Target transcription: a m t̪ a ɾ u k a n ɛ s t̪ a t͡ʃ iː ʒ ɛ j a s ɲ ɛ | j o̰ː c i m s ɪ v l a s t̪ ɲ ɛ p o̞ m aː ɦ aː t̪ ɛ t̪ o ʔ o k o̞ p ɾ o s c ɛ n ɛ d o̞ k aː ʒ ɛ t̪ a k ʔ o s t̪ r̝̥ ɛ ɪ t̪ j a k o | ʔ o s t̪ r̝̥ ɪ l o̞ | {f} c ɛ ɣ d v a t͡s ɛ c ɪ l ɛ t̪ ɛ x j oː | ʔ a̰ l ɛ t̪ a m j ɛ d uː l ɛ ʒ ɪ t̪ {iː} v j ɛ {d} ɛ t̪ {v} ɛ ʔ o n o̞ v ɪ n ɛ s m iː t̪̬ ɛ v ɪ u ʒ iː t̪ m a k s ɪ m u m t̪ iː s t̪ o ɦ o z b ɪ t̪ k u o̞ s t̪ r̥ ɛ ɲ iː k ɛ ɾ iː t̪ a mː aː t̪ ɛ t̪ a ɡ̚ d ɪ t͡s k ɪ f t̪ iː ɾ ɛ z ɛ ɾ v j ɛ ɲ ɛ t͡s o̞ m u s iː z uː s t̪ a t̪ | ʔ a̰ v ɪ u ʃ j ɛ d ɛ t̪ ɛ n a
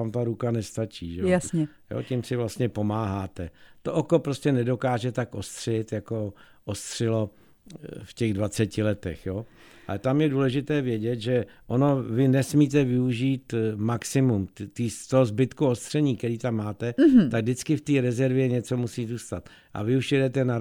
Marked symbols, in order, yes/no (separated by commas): yes, no, no, no